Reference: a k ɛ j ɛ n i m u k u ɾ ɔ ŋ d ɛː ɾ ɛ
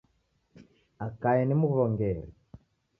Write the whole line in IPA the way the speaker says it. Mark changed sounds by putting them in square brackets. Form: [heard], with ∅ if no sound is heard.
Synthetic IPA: a k [a] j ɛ n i m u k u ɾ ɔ ŋ [ɡ] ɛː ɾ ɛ